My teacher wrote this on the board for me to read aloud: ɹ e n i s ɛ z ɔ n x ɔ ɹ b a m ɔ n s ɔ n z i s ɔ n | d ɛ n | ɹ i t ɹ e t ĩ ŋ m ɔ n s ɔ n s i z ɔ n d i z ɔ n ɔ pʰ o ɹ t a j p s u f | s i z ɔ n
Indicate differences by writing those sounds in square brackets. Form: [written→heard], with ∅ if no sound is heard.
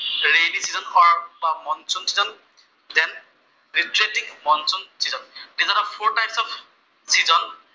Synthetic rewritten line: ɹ e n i s [ɛ→i] z ɔ n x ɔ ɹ b a m ɔ n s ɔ n [z→s] i [s→z] ɔ n | d ɛ n | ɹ i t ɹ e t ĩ ŋ m ɔ n s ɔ n s i z ɔ n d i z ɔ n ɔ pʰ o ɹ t a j p s [u→ɔ] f | s i z ɔ n